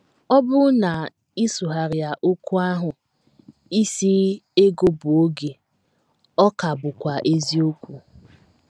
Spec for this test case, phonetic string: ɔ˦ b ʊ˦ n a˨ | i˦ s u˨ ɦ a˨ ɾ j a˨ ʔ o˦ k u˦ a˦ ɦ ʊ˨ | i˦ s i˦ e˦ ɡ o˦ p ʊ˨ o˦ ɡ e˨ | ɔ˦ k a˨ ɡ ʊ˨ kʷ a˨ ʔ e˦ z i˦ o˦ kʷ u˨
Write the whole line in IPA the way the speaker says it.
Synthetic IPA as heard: ɔ˦ b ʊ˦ n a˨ | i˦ s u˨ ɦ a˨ ɾ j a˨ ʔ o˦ k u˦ a˦ ɦ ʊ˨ | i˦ s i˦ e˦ ɡ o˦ b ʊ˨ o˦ ɡ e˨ | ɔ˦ k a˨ b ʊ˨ kʷ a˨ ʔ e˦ z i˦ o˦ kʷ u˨